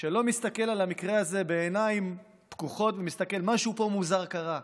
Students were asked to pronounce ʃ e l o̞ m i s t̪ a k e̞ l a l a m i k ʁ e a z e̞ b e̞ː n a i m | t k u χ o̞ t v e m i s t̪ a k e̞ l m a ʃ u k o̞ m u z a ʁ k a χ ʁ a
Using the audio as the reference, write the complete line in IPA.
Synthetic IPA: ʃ e l o̞ m i s t̪ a k e̞ l a l a m i k ʁ e a z e̞ b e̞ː n a i m | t k u χ o̞ t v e m i s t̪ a k e̞ l m a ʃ u p o̞ m u z a ʁ k a ʁ a